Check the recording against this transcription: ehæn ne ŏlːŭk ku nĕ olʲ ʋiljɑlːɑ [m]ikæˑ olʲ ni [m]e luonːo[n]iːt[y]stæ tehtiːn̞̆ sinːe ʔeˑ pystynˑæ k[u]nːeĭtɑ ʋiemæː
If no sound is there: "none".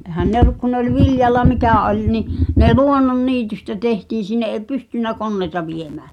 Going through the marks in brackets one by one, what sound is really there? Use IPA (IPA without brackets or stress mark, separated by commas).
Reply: m, n, nː, y, o